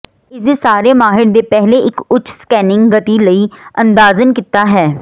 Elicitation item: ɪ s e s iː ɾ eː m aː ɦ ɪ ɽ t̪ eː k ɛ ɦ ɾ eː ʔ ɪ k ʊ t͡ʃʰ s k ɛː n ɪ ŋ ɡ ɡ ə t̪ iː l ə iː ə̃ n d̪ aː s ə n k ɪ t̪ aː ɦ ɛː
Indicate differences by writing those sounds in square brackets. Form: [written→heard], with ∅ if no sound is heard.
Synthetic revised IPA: ɪ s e s [iː→aː] ɾ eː m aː ɦ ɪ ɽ [t̪→d̪] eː [k→p] ɛ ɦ [ɾ→l] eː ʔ ɪ k ʊ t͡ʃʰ s k ɛː n ɪ ŋ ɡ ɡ ə t̪ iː l ə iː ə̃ n d̪ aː [s→z] ə n k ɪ t̪ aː ɦ ɛː